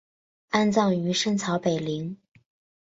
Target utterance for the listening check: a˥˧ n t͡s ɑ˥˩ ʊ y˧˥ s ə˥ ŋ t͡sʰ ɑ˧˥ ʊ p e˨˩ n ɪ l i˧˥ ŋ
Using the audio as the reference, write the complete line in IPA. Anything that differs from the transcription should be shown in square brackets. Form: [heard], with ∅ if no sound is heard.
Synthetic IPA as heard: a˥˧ n t͡s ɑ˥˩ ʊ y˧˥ [ʂ] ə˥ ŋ t͡sʰ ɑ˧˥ ʊ p e˨˩ [∅] ɪ l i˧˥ ŋ